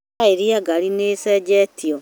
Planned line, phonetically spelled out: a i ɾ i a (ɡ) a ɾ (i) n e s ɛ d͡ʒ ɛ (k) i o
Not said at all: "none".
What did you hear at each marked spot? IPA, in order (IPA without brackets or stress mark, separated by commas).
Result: ɡ, i, t